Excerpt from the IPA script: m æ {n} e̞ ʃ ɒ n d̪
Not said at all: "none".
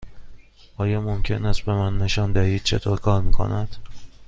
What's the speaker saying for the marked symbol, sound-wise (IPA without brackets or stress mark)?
nː